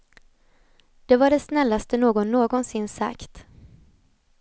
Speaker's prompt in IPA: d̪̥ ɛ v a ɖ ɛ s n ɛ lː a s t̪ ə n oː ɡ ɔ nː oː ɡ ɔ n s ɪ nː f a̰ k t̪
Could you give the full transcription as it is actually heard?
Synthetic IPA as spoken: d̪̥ ɛ v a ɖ ɛ s n ɛ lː a s t̪ ə n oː ɡ ɔ nː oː ɡ ɔ n s ɪ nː s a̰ k t̪